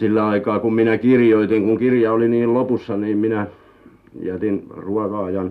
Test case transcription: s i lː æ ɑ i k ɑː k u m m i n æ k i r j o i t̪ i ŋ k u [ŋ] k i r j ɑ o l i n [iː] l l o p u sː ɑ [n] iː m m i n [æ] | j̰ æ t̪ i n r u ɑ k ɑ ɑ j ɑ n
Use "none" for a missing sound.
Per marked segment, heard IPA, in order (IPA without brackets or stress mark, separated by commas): ŋ, iː, n, æ